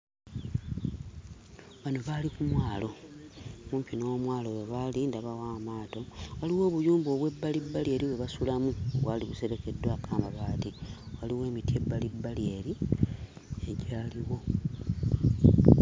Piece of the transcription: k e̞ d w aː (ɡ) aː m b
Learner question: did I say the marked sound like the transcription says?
no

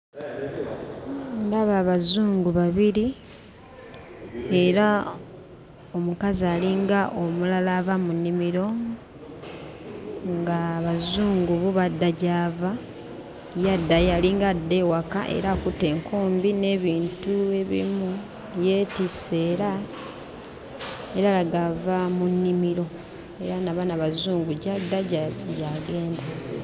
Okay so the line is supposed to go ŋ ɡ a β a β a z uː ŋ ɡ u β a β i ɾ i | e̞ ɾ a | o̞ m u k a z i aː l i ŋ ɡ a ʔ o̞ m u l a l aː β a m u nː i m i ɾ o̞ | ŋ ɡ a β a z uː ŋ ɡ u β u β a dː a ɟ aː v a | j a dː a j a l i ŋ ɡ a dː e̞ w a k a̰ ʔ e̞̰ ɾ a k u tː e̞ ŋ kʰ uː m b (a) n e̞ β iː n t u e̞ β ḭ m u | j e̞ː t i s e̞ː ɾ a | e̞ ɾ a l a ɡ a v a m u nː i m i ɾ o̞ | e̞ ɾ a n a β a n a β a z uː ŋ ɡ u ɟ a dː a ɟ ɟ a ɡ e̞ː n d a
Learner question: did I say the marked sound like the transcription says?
no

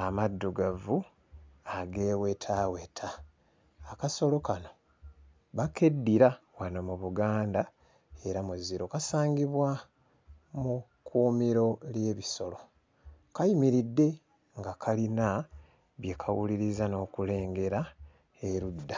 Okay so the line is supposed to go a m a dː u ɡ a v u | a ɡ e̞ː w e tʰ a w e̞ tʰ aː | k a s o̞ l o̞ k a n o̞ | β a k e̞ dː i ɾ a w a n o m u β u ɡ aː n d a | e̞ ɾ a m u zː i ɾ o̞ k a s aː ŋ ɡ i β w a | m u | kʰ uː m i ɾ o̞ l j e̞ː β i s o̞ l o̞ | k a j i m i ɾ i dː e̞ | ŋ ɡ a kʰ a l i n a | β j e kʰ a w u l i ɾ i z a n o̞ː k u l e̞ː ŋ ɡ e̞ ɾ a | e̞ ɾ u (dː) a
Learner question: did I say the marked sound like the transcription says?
yes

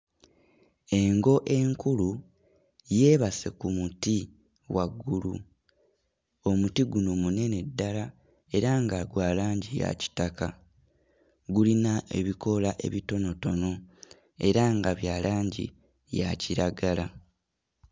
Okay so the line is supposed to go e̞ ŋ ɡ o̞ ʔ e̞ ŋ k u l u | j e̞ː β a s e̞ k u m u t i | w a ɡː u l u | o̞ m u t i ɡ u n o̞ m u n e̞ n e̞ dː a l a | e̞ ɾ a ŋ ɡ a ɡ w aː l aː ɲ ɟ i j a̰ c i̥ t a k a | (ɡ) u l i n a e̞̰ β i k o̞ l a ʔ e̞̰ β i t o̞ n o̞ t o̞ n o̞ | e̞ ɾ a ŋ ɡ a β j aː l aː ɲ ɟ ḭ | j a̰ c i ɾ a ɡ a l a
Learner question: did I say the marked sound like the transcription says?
yes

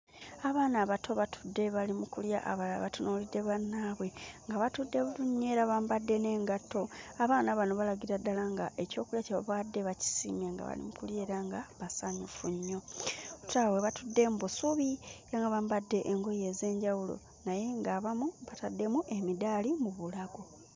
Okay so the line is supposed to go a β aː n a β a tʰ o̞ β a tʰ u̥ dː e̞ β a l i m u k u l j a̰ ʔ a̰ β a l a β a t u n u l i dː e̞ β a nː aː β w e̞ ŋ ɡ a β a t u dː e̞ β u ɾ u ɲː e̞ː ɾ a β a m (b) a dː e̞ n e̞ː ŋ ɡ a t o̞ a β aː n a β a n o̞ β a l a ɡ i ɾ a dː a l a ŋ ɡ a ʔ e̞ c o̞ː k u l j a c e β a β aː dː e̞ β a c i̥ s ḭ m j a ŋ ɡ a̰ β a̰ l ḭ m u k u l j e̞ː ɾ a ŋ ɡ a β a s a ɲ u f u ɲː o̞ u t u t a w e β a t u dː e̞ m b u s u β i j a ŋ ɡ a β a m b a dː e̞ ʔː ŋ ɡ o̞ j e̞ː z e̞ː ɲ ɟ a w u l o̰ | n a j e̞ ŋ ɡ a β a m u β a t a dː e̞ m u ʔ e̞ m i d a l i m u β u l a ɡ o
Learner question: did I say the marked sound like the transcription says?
yes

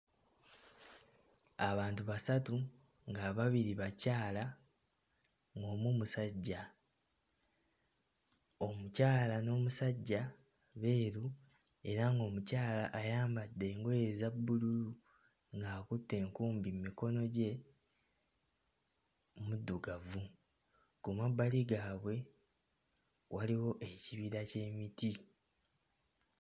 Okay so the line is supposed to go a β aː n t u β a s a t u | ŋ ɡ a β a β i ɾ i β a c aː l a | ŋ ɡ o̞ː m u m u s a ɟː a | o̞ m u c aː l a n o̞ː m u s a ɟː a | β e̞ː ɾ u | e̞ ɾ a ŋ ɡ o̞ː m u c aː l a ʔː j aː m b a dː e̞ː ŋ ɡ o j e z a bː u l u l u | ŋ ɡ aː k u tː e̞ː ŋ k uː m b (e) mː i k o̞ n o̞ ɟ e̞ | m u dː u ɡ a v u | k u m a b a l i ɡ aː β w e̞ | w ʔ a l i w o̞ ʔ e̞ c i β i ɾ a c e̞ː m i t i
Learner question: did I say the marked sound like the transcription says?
no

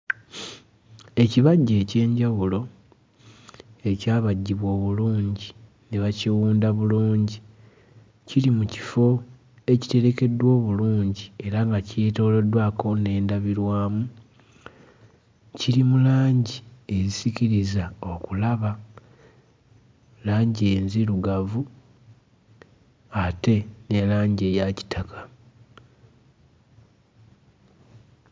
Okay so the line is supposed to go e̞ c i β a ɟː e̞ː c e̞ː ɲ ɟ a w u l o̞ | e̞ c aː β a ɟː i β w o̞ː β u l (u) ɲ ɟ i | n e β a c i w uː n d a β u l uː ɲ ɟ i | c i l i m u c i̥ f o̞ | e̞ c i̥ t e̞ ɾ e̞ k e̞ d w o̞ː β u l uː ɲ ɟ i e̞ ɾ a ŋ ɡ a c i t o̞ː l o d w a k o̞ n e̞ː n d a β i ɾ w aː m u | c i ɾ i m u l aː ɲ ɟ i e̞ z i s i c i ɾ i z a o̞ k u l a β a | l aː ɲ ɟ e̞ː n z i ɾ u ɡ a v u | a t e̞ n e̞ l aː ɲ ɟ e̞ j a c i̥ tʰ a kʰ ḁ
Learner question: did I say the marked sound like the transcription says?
no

